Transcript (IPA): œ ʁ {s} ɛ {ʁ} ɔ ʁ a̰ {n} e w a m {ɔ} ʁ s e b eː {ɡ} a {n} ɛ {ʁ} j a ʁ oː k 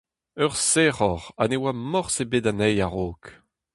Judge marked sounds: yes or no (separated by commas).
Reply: yes, yes, yes, yes, no, yes, no